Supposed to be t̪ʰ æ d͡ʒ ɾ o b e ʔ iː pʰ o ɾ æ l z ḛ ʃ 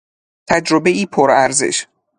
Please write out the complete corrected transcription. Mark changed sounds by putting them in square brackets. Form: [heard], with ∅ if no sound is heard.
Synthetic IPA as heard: t̪ʰ æ d͡ʒ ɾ o b e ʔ iː pʰ o ɾ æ [ɾ] z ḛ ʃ